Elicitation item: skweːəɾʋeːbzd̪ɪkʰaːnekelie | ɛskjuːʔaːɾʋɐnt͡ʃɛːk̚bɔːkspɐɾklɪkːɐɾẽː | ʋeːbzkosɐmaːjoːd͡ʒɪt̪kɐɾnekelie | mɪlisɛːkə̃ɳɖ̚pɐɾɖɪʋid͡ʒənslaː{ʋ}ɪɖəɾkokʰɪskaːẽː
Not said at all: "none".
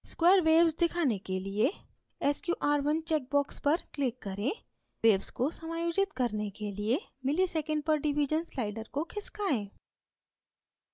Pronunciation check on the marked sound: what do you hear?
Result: none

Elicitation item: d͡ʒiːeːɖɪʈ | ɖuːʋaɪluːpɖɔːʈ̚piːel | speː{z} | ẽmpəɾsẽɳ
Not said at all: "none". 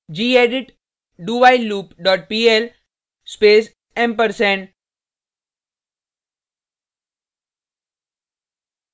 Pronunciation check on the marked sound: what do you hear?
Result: s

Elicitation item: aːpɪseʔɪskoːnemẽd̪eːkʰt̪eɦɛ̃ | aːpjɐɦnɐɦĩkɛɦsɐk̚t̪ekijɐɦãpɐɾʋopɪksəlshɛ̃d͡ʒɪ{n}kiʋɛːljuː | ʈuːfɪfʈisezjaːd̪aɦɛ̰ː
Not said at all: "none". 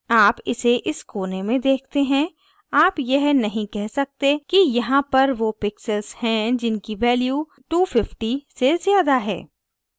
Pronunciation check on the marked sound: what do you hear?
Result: n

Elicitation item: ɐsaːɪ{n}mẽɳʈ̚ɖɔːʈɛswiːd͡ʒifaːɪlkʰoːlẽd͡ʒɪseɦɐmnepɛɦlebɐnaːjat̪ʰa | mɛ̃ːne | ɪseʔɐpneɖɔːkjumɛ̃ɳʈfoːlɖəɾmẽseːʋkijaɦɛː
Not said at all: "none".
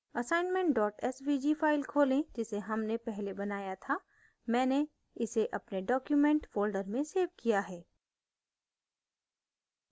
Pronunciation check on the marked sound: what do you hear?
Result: n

